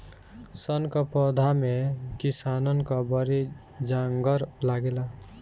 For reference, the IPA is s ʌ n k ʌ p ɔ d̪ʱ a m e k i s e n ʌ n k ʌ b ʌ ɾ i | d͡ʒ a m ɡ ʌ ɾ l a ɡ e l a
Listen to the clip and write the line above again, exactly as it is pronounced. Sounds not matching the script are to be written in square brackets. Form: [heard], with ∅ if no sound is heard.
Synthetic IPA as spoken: s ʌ n k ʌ p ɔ d̪ʱ a m e k i s [a] n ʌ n k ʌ b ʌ ɾ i | d͡ʒ a [ŋ] ɡ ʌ ɾ l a ɡ e l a